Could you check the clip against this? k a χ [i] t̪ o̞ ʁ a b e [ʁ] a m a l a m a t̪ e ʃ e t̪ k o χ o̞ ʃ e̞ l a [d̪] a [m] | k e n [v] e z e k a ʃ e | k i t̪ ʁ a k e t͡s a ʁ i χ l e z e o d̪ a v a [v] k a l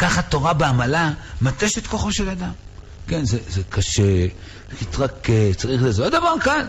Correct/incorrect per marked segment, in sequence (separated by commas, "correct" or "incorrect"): incorrect, incorrect, correct, correct, incorrect, incorrect